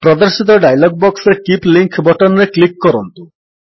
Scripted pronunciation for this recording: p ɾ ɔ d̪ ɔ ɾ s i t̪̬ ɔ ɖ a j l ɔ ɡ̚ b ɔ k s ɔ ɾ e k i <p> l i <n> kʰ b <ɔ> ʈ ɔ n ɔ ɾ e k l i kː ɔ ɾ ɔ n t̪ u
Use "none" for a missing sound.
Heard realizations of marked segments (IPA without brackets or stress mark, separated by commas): p, ŋ, ɔ